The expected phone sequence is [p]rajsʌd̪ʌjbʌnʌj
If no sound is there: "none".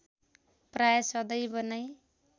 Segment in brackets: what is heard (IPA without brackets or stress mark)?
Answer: p